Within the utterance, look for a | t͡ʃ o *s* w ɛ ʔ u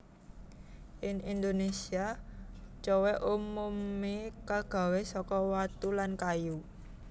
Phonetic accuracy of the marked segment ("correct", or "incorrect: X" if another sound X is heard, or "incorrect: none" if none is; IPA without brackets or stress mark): incorrect: none